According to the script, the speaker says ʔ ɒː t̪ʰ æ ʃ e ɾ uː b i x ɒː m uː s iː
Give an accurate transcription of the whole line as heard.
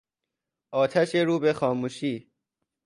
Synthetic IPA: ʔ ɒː t̪ʰ æ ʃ e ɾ uː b e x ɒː m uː ʃ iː